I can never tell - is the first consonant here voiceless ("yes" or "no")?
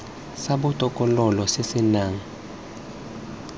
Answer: yes